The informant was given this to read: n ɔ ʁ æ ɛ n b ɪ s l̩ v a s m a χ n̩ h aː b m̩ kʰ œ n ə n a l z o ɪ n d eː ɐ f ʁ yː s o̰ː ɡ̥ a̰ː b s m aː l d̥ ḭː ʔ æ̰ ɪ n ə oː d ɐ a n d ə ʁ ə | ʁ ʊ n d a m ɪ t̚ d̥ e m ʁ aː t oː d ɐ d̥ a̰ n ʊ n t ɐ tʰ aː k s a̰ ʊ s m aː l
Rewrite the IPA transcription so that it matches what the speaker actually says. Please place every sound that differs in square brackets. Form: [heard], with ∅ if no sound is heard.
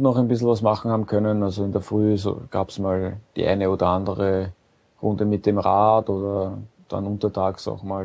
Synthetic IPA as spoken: n ɔ [χ] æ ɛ n b ɪ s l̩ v a s m a χ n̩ h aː b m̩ kʰ œ n ə n a l z o ɪ n d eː ɐ f ʁ yː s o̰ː ɡ̥ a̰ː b s m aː l d̥ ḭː ʔ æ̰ ɪ n ə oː d ɐ a n d ə ʁ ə | ʁ ʊ n d [ə] m ɪ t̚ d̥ e m ʁ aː t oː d ɐ d̥ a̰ n ʊ n t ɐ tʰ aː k s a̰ ʊ [x] m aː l